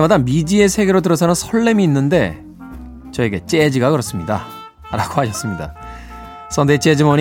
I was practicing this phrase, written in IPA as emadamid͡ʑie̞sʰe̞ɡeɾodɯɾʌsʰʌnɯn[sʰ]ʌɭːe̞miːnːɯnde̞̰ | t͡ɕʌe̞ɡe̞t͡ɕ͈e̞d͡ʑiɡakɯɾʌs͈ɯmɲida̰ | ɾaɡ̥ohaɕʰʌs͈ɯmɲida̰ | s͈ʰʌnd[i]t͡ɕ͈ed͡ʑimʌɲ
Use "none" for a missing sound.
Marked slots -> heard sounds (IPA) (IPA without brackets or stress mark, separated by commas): sʰ, e